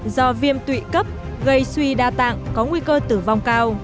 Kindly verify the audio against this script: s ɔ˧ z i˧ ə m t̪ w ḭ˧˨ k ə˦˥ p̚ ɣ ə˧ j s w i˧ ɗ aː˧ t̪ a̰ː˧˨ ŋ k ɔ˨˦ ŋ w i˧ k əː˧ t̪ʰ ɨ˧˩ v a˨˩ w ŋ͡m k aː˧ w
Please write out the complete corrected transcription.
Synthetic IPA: z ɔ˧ v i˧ ə m t̪ w ḭ˧˨ k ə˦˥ p̚ ɣ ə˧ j s w i˧ ɗ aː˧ t̪ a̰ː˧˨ ŋ k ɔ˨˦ ŋ w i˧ k əː˧ t̪ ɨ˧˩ v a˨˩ w ŋ͡m k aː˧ w